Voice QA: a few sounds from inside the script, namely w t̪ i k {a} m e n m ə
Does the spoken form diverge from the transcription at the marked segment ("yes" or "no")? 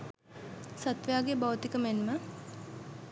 yes